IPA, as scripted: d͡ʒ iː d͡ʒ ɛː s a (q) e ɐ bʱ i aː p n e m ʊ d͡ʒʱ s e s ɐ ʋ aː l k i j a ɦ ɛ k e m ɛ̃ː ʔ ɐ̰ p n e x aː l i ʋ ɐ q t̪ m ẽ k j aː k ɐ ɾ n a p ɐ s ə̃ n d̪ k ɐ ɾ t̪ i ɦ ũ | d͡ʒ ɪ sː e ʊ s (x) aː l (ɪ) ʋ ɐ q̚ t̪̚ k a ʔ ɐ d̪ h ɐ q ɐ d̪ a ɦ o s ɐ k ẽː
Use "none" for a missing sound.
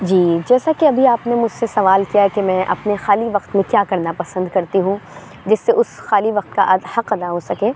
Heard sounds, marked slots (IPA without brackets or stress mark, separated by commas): k, x, i